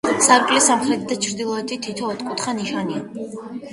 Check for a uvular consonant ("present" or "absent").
present